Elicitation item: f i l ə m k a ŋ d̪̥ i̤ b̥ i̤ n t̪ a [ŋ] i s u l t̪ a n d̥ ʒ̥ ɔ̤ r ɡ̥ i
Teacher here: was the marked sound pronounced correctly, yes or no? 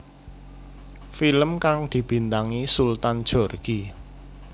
yes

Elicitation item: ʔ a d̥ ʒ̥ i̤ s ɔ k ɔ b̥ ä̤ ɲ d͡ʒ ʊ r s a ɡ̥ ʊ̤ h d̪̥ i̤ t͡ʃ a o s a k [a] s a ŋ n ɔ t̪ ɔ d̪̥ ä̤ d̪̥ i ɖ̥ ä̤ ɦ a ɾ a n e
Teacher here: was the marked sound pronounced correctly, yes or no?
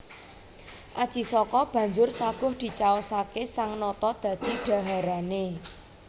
no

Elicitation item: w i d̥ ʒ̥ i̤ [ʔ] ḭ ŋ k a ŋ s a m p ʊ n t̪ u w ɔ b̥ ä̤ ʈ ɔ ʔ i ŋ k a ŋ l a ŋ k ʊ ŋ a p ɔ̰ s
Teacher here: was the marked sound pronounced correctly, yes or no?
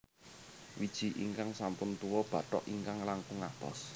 yes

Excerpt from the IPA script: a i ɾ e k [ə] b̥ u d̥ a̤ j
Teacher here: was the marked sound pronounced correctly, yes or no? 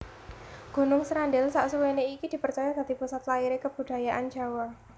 yes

